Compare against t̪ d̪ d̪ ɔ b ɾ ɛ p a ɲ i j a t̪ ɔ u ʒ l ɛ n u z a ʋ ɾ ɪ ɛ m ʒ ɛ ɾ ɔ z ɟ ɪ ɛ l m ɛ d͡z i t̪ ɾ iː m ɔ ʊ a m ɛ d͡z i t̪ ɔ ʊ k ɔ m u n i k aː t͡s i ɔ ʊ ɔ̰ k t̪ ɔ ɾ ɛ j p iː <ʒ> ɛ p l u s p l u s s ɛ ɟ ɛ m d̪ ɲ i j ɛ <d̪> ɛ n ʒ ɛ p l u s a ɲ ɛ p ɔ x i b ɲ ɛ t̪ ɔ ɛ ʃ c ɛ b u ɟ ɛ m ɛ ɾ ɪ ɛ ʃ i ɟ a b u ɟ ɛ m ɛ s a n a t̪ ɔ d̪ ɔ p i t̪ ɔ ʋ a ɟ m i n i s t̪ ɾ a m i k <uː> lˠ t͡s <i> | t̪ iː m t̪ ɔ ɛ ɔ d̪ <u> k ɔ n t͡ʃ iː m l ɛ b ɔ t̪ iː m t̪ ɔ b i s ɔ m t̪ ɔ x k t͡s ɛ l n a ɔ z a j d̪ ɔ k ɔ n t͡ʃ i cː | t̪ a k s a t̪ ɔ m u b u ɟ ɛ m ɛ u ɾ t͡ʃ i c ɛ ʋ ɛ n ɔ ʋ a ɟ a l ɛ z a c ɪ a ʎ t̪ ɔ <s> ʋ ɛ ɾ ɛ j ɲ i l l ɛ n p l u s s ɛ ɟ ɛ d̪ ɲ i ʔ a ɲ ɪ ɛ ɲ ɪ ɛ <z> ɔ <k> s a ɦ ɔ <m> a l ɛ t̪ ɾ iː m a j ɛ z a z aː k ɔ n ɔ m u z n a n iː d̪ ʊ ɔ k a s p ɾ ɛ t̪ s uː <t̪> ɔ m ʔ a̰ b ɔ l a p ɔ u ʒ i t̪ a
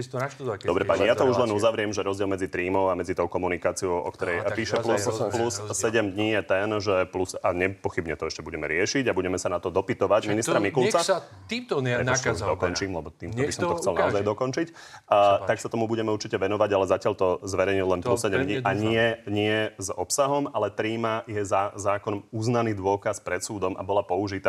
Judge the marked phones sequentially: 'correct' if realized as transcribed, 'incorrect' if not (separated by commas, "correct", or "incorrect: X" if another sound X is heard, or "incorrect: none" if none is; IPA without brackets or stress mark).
incorrect: ʃ, incorrect: t̪, incorrect: u, incorrect: a, incorrect: ɔ, incorrect: z, correct, incorrect: p, correct, incorrect: d̪